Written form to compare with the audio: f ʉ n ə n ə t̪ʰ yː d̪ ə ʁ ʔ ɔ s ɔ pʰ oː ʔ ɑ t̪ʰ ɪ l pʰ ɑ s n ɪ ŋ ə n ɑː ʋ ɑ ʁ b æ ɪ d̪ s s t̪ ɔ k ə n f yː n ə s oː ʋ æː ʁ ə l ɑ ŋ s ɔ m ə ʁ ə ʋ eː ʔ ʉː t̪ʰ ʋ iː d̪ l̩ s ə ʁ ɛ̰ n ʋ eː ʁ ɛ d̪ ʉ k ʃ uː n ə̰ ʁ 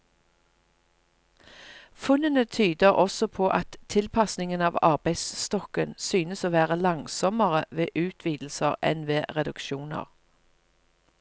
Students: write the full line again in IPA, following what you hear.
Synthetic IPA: f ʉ n ə n ə t̪ʰ yː d̪ ə ʁ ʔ ɔ s ɔ pʰ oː ʔ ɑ t̪ʰ ɪ l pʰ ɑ s n ɪ ŋ ə n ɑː ʋ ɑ ʁ b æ ɪ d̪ s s t̪ ɔ k ə n s yː n ə s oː ʋ æː ʁ ə l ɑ ŋ s ɔ m ə ʁ ə ʋ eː ʔ ʉː t̪ʰ ʋ iː d̪ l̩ s ə ʁ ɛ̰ n ʋ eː ʁ ɛ d̪ ʉ k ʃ uː n ə̰ ʁ